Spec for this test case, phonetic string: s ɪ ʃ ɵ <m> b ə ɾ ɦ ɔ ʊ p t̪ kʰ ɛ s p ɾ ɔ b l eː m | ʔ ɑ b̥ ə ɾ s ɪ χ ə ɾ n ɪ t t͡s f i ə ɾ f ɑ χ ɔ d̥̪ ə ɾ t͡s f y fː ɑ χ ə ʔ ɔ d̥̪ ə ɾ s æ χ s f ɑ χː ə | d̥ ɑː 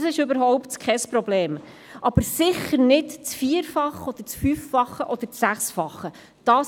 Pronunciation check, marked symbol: incorrect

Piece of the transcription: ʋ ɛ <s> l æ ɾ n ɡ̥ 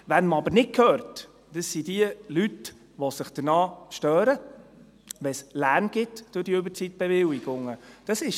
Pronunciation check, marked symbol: correct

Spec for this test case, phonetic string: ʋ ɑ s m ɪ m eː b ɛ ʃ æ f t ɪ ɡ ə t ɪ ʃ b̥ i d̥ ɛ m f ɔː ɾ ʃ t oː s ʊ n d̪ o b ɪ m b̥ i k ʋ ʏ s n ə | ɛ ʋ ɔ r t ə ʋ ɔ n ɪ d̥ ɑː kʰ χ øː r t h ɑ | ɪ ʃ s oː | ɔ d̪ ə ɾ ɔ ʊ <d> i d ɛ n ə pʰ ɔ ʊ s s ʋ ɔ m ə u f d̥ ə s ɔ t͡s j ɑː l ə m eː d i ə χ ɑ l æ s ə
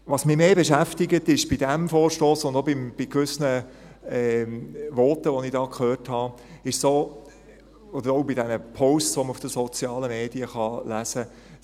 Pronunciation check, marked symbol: incorrect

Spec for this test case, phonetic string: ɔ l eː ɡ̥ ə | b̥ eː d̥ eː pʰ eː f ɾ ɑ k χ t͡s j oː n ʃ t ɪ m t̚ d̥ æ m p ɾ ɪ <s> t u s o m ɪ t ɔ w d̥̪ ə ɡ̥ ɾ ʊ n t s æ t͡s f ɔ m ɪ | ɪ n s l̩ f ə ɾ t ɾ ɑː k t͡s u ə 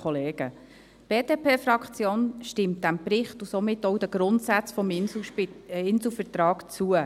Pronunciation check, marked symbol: incorrect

